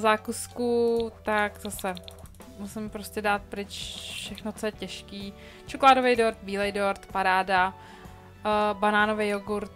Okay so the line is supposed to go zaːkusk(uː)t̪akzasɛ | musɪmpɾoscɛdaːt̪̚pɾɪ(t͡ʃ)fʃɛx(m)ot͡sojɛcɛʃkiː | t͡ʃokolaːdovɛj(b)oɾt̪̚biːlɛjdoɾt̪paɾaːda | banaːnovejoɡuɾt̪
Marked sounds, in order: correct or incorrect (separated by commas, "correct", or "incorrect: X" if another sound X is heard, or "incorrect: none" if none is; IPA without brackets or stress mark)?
incorrect: u, correct, incorrect: n, incorrect: d